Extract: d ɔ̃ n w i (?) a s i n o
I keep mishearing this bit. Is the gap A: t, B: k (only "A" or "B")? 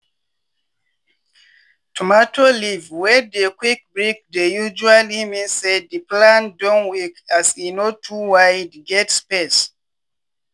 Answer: B